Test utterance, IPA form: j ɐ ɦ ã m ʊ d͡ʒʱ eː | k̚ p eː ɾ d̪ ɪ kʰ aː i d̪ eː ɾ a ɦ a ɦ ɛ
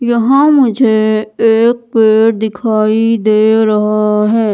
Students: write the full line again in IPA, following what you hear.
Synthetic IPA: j ɐ ɦ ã m ʊ d͡ʒʱ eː | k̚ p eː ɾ d̪ ɪ kʰ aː i d̪ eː ɾ ɐ ɦ a ɦ ɛː

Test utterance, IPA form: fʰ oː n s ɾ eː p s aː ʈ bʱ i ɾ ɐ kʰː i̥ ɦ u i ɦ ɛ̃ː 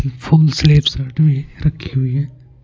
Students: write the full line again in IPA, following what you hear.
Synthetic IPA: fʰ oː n s l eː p s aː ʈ bʱ i ɾ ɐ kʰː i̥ ɦ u i ɦ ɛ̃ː

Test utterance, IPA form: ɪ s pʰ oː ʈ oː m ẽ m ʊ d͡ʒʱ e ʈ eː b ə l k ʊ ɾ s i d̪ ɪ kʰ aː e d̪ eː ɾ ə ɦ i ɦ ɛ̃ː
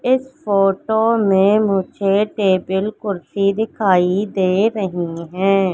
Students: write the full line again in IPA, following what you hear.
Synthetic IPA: ɪ s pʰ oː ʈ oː m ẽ m ʊ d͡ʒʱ e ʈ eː b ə l k ʊ ɾ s i d̪ ɪ kʰ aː i d̪ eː ɾ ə ɦ i ɦ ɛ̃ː

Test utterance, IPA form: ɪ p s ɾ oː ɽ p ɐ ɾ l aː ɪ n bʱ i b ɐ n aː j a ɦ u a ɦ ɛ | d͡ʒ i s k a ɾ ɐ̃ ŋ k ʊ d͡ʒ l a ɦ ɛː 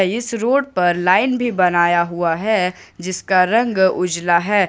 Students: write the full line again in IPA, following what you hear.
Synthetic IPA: ɪ s ɾ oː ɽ p ɐ ɾ l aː ɪ n bʱ i b ɐ n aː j a ɦ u a ɦ ɛ | d͡ʒ ɪ s k a ɾ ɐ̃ ŋ ɡ ʊ d͡ʒ l a ɦ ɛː

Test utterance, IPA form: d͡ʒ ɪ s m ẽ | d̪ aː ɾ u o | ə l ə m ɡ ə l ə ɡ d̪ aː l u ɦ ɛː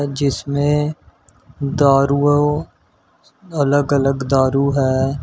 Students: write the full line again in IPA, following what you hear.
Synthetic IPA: d͡ʒ ɪ s m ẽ | d̪ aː ɾ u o | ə l ə ɡ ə l ə ɡ d̪ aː ɾ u ɦ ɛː

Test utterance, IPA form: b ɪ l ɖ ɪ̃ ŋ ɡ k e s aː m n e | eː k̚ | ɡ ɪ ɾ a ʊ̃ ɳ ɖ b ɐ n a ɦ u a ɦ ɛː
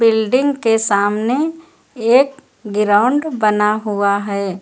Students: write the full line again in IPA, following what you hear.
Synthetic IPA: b ɪ l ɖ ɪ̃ ŋ ɡ k e s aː m n e | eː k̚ | ɡ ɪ ɾ a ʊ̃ ɳ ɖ b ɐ n a ɦ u a ɦ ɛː

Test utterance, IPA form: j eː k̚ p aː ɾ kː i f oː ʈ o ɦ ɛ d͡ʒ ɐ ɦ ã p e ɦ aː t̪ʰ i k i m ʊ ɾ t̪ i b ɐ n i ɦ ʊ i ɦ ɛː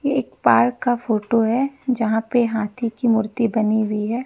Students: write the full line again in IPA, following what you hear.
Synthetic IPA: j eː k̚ p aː ɾ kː a f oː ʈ o ɦ ɛ d͡ʒ ɐ ɦ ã p e ɦ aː t̪ʰ i k i m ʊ ɾ t̪ i b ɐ n i ɦ ʊ i ɦ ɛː

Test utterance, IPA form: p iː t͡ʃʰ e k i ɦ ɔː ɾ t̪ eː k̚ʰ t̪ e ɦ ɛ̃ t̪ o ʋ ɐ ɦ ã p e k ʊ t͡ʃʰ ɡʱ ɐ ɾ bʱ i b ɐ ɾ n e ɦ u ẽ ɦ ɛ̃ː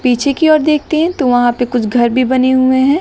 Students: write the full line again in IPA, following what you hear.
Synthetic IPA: p iː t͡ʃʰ e k i ɔː ɾ d̪ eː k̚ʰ t̪ e ɦ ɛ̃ t̪ o ʋ ɐ ɦ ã p e k ʊ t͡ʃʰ ɡʱ ɐ ɾ bʱ i b ɐ n e ɦ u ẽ ɦ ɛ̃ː

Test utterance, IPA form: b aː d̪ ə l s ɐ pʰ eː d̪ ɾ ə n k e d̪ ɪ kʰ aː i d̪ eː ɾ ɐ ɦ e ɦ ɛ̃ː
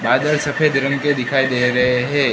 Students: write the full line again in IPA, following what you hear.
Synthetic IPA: b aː d̪ ə l s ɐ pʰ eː d̪ ɾ ə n k e d̪ ɪ kʰ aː i d̪ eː ɾ ɐ ɦ e ɦ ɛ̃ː

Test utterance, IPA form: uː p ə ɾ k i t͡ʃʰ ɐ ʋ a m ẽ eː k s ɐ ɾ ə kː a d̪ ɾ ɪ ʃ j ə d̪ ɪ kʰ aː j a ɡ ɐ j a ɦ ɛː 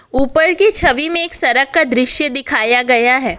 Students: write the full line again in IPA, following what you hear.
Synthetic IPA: uː p ə ɾ k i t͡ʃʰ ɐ ʋ i m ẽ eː k s ɐ ɾ ə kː a d̪ ɾ ɪ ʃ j ə d̪ ɪ kʰ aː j a ɡ ɐ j a ɦ ɛː

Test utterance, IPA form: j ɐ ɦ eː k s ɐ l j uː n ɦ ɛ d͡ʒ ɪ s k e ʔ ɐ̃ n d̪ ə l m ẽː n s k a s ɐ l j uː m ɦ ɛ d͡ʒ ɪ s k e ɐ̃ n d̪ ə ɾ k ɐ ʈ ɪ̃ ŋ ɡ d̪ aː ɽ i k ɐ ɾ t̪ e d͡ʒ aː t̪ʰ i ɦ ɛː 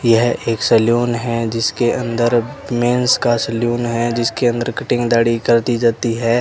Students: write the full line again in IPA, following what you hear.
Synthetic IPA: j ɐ ɦ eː k s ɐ l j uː n ɦ ɛ d͡ʒ ɪ s k e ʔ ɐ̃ n d̪ ə ɾ m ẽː n s k a s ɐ l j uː n ɦ ɛ d͡ʒ ɪ s k e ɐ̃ n d̪ ə ɾ k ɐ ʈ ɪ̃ ŋ ɡ d̪ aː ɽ i k ɐ ɾ t̪ i d͡ʒ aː t̪ i ɦ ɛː

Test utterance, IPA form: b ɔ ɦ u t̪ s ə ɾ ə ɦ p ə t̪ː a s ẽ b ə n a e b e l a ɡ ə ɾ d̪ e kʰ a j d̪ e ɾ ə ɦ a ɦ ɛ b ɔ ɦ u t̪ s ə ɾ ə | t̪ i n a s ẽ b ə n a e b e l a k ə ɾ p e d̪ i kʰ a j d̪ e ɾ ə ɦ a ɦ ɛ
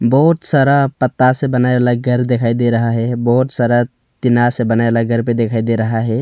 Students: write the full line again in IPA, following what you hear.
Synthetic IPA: b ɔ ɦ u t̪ s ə ɾ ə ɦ p ə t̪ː a s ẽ b ə n a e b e l a ɡ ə ɾ d̪ e kʰ a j d̪ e ɾ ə ɦ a ɦ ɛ b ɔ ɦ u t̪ s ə ɾ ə | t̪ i n a s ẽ b ə n a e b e l a ɡ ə ɾ p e d̪ e kʰ a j d̪ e ɾ ə ɦ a ɦ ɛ

